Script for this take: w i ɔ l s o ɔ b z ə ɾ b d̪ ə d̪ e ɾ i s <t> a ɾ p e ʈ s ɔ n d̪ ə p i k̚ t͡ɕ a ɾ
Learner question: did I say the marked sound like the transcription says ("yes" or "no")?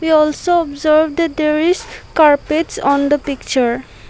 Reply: no